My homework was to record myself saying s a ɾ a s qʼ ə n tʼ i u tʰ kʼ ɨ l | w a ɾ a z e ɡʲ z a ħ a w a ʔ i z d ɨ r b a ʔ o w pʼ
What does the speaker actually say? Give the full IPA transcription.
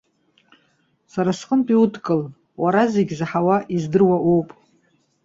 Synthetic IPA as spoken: s a ɾ a s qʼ ə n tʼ i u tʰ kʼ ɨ l | w a ɾ a z e ɡʲ z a ħ a w a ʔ i z d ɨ r w a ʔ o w pʼ